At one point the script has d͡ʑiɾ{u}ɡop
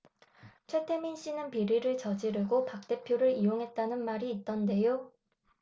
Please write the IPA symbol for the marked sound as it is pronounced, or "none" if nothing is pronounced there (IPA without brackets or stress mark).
ɯ